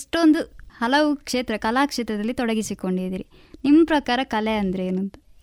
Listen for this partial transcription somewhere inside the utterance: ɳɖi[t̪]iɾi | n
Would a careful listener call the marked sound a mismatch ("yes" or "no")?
yes